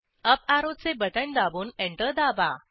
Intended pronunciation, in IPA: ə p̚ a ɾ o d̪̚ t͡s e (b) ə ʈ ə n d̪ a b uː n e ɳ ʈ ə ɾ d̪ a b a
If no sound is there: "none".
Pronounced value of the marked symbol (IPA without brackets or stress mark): b